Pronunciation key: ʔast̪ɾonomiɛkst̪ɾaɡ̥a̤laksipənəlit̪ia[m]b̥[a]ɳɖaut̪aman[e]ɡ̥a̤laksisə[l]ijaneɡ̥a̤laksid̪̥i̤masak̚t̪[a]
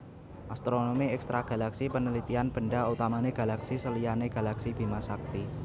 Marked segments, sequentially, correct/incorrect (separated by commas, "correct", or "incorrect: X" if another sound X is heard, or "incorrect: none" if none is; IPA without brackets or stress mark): incorrect: n, incorrect: ə, correct, correct, incorrect: i